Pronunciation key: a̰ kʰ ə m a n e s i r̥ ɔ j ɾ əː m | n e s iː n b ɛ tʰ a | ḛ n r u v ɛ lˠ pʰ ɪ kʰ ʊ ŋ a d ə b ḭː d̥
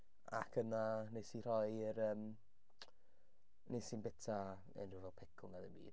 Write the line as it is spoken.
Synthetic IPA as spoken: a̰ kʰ ə n a n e s i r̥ ɔ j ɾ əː m | n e s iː n b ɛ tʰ a | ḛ n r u v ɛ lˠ pʰ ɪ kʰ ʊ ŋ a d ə b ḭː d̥